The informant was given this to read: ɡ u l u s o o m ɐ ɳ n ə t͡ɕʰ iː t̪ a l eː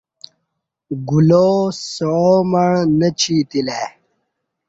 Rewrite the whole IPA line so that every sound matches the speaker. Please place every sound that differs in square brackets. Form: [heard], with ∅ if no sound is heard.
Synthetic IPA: ɡ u l [o] s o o m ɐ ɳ n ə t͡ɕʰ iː t̪ [i] l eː